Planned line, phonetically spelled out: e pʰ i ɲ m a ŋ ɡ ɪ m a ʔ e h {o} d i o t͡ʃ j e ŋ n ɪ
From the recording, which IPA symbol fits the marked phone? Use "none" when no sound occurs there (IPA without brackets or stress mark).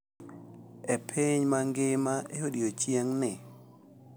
o